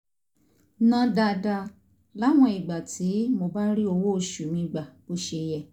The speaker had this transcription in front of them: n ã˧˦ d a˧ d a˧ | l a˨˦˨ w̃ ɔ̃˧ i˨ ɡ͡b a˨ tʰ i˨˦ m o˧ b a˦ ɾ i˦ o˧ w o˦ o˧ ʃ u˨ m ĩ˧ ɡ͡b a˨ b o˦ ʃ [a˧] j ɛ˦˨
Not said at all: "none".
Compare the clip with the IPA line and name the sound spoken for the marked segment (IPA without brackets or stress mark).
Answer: e˧